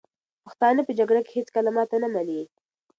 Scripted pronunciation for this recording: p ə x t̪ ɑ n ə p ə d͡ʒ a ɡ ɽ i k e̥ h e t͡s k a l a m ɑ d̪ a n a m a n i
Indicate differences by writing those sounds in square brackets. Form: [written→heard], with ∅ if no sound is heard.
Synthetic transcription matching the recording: p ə x t̪ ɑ n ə p ə d͡ʒ a ɡ ɽ [i→a] k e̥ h e t͡s k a l a m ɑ [d̪→t̪] a n a m a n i